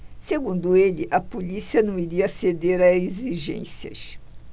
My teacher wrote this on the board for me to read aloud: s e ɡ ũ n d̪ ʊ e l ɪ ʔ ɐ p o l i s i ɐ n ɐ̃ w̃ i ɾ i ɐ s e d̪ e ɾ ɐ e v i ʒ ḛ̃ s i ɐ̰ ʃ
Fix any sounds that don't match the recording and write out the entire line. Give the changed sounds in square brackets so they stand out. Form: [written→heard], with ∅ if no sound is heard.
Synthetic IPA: s e ɡ ũ n d̪ ʊ e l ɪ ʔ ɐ p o l i s i ɐ n ɐ̃ w̃ i ɾ i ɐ s e d̪ e ɾ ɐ e [v→z] i ʒ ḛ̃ s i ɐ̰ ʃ